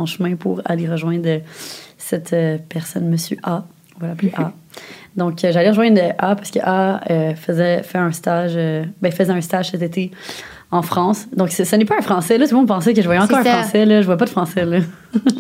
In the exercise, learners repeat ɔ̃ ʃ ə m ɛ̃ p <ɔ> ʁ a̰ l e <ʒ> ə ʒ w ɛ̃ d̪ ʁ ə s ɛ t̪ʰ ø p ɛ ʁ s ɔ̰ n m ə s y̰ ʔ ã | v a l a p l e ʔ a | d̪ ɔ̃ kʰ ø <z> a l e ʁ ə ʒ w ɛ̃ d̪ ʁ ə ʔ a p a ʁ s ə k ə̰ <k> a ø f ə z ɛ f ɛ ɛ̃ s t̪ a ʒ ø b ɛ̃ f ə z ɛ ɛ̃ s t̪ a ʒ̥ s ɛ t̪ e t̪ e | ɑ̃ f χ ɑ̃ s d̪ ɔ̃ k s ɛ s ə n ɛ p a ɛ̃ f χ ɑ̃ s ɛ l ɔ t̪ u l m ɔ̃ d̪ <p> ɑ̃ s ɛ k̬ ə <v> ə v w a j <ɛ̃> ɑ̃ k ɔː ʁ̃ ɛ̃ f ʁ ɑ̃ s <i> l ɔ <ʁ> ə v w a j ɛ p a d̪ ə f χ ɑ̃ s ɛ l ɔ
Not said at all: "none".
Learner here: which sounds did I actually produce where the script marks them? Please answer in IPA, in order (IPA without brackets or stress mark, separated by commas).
u, ʁ, ʒ, ʔ, p, ʒ, ɛ, ɛ, ʒ